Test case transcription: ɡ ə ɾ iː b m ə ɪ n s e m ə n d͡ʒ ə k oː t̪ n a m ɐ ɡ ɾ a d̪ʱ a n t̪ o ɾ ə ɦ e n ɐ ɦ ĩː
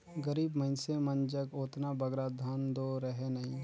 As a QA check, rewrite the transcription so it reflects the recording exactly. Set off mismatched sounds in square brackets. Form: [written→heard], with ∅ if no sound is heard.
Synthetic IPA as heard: ɡ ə ɾ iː b m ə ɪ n s e m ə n d͡ʒ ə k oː t̪ n a [m→b] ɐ ɡ ɾ a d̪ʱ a n [t̪→d̪] o ɾ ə ɦ e n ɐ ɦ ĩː